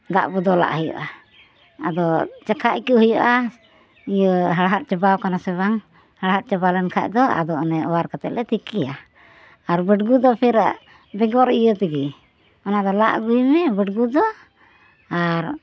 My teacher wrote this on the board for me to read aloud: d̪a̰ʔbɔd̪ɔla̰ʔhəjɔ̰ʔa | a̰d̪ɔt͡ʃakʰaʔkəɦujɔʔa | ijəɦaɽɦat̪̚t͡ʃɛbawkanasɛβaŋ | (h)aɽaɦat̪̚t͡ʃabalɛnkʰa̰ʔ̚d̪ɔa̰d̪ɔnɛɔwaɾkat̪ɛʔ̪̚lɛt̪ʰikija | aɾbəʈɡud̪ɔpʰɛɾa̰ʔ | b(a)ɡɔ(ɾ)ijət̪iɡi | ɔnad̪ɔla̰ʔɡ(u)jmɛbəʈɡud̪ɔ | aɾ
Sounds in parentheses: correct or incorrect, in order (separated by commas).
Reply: correct, incorrect, correct, correct